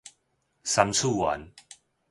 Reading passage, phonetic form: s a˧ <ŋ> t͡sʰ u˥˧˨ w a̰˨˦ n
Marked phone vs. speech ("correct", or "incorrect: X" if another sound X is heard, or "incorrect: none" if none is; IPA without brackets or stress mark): incorrect: m